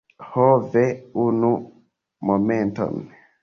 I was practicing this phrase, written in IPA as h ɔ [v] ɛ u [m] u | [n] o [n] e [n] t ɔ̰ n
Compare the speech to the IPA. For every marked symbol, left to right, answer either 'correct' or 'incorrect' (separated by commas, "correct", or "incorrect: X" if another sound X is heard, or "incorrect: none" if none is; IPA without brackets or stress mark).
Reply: correct, incorrect: n, incorrect: m, incorrect: m, correct